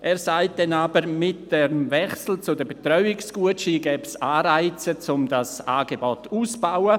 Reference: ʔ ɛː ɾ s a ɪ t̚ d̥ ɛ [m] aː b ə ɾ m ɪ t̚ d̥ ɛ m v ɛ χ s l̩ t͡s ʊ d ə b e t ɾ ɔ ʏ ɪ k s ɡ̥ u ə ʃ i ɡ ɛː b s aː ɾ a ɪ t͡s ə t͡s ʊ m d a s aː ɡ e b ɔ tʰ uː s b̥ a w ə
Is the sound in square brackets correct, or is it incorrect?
incorrect